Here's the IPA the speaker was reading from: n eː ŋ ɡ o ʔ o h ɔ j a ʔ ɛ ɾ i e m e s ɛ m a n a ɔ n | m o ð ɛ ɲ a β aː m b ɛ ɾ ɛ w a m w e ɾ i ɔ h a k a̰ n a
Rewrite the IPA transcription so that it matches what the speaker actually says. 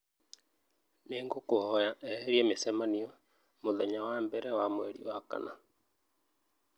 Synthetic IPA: n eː ŋ ɡ o k o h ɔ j a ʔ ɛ ɾ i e m e s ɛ m a n i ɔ | m o ð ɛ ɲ a w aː m b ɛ ɾ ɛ w a m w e ɾ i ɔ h a k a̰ n a